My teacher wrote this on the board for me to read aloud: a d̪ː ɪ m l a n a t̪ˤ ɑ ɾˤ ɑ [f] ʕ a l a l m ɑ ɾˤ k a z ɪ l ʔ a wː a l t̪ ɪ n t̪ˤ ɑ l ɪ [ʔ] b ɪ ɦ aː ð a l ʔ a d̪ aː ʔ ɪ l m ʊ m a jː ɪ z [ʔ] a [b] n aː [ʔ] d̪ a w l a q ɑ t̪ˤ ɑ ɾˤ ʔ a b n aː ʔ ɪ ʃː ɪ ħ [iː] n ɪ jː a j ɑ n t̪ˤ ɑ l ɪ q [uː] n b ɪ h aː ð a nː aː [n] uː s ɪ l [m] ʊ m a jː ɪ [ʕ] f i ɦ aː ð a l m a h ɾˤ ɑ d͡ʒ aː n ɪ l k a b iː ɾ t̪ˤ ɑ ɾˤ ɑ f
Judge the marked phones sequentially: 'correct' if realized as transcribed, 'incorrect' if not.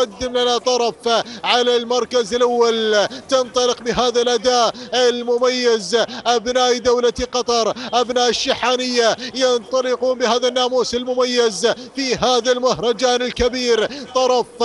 correct, incorrect, correct, correct, correct, incorrect, correct, incorrect, correct, incorrect

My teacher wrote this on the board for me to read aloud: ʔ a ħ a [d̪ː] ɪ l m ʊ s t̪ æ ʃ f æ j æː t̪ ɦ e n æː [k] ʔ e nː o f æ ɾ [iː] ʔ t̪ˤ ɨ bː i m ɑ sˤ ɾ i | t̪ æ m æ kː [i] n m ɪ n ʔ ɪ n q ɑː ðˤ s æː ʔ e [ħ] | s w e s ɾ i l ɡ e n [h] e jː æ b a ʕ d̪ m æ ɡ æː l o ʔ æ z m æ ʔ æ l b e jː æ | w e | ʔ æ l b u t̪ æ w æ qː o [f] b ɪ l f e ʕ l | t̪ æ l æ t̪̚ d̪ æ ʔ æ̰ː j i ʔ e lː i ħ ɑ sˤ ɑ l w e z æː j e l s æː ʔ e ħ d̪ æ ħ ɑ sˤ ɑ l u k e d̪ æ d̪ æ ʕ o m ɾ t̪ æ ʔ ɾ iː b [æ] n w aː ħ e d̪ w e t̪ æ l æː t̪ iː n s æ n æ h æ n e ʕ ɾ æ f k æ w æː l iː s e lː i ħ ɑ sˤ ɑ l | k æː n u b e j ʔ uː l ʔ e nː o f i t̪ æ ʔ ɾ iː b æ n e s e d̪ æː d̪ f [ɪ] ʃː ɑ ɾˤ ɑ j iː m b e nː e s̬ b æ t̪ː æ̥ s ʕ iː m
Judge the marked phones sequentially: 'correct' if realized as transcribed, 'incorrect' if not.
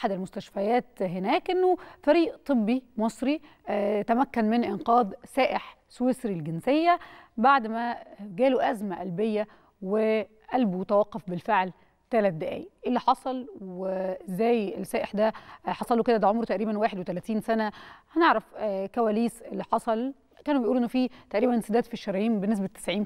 incorrect, correct, correct, incorrect, correct, incorrect, correct, correct, incorrect

